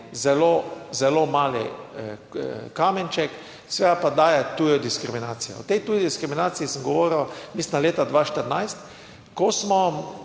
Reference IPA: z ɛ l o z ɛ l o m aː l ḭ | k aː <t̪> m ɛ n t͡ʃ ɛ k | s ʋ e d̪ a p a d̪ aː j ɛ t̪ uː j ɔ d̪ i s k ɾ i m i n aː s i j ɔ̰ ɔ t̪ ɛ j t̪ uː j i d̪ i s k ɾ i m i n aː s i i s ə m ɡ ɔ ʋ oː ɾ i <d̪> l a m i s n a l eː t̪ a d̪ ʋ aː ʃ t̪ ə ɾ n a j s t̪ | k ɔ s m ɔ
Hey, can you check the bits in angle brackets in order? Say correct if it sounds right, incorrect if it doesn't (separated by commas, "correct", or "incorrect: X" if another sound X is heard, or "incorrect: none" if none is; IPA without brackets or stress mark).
incorrect: none, incorrect: none